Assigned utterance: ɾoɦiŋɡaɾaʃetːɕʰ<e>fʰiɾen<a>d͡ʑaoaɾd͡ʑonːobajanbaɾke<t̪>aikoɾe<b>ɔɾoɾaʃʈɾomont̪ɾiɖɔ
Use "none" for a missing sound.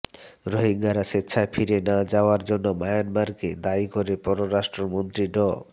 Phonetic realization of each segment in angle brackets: a, a, d̪, p

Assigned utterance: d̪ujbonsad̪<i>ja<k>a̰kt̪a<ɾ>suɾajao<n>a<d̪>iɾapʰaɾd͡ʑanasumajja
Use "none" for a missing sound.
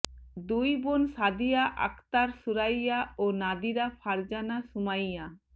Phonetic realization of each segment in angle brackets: i, ʔ, ɾ, n, d̪

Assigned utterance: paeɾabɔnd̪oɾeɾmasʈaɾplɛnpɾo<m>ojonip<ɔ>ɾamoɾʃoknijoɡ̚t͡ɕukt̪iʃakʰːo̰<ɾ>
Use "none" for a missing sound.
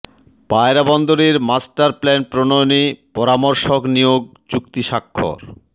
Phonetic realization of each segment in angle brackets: n, ɔ, ɾ

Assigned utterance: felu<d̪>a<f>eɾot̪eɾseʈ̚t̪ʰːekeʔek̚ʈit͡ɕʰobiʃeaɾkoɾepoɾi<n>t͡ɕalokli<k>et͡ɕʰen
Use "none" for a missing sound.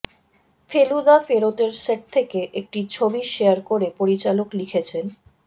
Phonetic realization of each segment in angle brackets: d̪, f, none, kʰ

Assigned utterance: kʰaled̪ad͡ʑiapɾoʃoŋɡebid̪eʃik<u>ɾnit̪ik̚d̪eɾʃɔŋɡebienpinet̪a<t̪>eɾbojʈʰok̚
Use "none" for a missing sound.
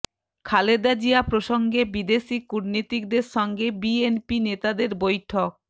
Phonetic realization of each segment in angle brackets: u, d̪

